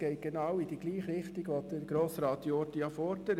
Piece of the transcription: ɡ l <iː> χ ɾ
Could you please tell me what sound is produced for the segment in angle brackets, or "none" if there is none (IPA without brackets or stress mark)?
iː